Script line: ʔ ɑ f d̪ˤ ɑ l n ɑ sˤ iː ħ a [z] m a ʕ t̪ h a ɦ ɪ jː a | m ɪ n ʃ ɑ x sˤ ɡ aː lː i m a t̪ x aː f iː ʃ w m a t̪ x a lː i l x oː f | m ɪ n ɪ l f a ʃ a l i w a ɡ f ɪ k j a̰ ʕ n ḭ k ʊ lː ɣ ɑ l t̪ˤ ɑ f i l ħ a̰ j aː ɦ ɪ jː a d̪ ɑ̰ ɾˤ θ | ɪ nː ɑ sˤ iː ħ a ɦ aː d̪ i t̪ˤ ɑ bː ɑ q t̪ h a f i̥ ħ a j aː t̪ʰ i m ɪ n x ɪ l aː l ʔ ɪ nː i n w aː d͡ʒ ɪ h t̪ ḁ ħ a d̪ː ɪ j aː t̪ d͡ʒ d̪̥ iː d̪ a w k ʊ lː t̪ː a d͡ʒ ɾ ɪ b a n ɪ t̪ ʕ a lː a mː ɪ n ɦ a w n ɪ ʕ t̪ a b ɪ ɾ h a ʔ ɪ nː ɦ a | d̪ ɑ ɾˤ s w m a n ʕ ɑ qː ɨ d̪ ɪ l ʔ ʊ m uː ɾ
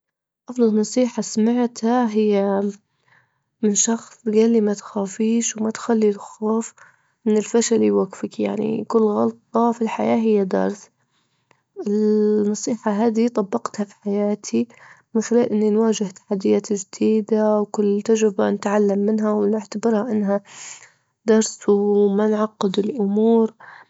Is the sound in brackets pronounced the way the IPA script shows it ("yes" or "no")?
no